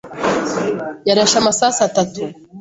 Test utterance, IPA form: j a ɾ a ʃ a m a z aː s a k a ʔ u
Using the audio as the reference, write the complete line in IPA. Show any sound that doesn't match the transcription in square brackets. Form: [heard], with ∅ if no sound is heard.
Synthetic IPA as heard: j a ɾ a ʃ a m a [s] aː s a [t] a [t] u

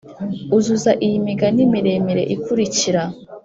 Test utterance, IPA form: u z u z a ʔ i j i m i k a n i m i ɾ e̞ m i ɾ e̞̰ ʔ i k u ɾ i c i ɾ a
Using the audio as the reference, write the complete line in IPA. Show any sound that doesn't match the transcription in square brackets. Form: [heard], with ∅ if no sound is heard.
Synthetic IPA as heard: u z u z a ʔ i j i m i [ɡ] a n i m i ɾ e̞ m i ɾ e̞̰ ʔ i k u ɾ i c i ɾ a

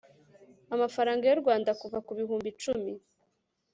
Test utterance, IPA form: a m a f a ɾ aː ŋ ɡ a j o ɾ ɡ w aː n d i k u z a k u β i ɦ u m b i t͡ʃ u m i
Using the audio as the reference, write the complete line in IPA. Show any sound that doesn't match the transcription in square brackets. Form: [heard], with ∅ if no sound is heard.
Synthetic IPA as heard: a m a f a ɾ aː ŋ ɡ a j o ɾ ɡ w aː n d [a] k u [v] a k u β i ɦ [uː] m b i t͡ʃ u m i

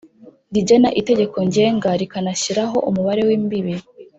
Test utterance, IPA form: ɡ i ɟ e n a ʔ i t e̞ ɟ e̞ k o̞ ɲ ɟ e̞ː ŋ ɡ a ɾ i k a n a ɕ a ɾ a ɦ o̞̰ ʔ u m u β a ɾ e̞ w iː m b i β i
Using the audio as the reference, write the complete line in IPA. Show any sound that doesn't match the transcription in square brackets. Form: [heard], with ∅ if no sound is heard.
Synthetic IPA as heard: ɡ i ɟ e n a ʔ i t e̞ ɟ e̞ k o̞ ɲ ɟ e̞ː ŋ ɡ a ɾ i k a n a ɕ [i] ɾ a ɦ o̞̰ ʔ u m u β a ɾ e̞ w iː m b i β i

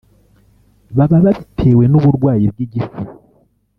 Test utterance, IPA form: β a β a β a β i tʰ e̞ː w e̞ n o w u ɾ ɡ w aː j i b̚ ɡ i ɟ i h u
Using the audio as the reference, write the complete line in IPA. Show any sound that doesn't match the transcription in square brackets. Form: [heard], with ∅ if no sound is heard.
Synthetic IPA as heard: β a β a β a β i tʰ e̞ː w e̞ n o [β] u ɾ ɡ w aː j i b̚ ɡ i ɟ i [f] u

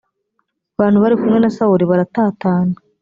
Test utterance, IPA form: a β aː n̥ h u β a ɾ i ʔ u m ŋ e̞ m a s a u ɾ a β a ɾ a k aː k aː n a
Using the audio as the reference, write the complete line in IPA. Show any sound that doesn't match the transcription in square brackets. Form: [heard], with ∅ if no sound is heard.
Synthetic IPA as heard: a β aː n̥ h u β a ɾ i [k] u m ŋ e̞ [n] a s a u ɾ [i] β a ɾ a [t] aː [t] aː n a

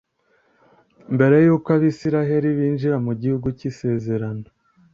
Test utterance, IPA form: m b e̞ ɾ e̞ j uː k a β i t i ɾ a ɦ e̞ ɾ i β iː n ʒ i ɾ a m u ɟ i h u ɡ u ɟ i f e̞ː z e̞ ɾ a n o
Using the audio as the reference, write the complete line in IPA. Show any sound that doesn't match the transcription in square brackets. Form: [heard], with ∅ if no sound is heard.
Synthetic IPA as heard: m b e̞ ɾ e̞ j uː k a β i [s] i ɾ a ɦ e̞ ɾ i β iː n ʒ i ɾ a m u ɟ i h u ɡ u [c] i [s] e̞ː z e̞ ɾ a n o

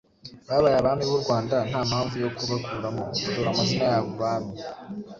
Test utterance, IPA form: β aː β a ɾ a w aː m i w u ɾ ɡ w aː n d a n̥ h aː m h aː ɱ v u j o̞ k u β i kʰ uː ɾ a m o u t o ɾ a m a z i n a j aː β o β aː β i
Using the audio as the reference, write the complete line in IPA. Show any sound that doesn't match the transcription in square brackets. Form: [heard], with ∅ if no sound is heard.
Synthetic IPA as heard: β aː β a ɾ a [β] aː m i [β] u ɾ ɡ w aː n d a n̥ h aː m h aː ɱ v u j o̞ k u β [a] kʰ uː ɾ a m o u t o ɾ a m a z i n a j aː β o β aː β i

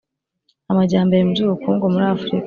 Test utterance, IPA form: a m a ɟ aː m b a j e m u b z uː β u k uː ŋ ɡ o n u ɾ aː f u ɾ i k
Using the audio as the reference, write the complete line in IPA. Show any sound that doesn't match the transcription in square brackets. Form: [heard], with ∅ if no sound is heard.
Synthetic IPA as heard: a m a ɟ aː m b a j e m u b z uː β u k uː ŋ ɡ o [m] u ɾ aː f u ɾ i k

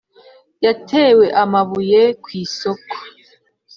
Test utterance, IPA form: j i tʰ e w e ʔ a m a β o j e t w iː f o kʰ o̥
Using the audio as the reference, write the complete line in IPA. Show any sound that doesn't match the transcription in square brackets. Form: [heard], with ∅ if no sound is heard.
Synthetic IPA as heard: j [a] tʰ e w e ʔ a m a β [u] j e [k] w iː [s] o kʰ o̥

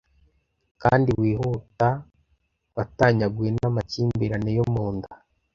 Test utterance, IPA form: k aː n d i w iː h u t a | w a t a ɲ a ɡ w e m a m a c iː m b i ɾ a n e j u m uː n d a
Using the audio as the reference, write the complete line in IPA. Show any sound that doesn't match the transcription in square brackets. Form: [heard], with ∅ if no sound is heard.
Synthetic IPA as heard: k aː n d i w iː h u t a | w a t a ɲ a ɡ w e [n] a m a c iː m b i ɾ a n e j [o] m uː n d a

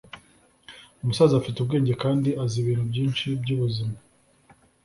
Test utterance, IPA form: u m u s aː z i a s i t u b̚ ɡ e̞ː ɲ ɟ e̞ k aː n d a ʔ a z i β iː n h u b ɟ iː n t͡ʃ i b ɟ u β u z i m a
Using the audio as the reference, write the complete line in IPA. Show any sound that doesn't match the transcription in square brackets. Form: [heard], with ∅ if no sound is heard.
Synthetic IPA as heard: u m u s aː z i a [f] i t u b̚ ɡ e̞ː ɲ ɟ e̞ k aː n d [i] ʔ a z i β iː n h u b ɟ iː n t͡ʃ i b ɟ u β u z i m a

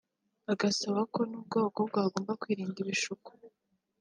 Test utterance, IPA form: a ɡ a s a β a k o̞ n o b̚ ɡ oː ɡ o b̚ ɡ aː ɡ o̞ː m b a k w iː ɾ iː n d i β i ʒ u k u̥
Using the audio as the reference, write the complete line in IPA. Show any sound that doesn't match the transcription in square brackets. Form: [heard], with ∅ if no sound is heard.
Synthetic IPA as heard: a ɡ a s a β a k o̞ n [u] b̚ ɡ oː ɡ o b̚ ɡ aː ɡ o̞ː m b a k w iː ɾ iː n d i β i [ʃ] u k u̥

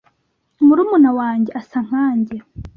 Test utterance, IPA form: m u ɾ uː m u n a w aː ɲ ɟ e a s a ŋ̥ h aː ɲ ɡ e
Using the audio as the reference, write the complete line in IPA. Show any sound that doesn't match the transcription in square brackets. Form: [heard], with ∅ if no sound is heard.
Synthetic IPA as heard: m u ɾ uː m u n a w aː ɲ ɟ e a s a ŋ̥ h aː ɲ [ɟ] e

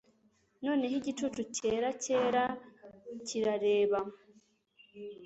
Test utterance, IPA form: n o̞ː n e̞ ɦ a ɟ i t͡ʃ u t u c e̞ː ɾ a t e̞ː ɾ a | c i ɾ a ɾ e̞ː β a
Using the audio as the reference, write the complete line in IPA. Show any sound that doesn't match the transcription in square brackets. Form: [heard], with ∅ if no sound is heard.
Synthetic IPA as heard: n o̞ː n e̞ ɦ [i] ɟ i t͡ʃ u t u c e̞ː ɾ a [c] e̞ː ɾ a | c i ɾ a ɾ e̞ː β a

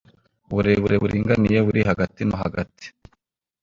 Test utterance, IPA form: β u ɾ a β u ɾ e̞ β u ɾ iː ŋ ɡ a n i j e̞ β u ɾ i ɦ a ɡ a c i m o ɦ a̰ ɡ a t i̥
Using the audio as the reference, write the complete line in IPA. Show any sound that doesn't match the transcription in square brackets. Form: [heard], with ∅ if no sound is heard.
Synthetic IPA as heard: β u ɾ [e] β u ɾ e̞ β u ɾ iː ŋ ɡ a n i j e̞ β u ɾ i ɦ a ɡ a [t] i [n] o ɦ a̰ ɡ a t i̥

